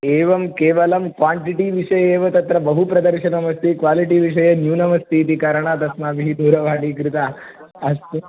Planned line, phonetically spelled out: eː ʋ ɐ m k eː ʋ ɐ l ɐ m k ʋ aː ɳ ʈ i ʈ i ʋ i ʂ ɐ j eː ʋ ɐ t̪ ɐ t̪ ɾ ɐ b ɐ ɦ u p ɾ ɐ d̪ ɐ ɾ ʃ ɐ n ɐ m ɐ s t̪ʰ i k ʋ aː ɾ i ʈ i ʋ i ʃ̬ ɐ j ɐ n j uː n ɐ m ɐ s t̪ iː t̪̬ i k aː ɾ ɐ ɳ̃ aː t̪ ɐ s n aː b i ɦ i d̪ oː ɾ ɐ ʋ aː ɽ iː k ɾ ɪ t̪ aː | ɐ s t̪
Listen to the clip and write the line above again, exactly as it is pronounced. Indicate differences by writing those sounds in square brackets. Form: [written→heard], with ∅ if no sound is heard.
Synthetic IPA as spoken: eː ʋ ɐ m k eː ʋ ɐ l ɐ m k ʋ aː ɳ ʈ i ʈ i ʋ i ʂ ɐ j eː ʋ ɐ t̪ ɐ t̪ ɾ ɐ b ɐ ɦ u p ɾ ɐ d̪ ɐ ɾ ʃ ɐ n ɐ m ɐ s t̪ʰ i k ʋ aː [ɾ→l] i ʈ i ʋ i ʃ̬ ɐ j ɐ n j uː n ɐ m ɐ s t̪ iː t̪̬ i k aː ɾ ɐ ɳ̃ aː t̪ ɐ s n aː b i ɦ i d̪ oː ɾ ɐ ʋ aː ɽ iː k ɾ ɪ t̪ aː | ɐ s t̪